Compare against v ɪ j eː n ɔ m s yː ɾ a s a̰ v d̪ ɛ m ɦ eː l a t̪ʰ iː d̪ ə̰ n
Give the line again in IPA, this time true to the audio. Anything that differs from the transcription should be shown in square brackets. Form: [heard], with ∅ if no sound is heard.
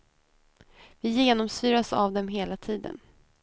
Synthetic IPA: v ɪ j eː n ɔ m s yː ɾ a s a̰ v d̪ ɛ m ɦ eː l a t̪ʰ iː d̪ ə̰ n